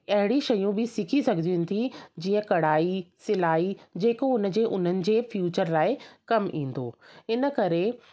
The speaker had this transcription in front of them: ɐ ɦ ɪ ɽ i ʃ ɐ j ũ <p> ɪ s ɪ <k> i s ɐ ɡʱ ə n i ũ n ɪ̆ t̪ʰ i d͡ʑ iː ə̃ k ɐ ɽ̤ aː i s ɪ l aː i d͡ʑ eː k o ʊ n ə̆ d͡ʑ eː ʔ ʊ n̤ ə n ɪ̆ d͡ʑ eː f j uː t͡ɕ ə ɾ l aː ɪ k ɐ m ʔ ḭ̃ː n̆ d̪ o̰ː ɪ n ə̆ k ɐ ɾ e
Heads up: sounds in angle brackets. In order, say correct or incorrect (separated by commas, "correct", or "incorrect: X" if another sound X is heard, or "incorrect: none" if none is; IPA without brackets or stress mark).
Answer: incorrect: b, incorrect: kʰ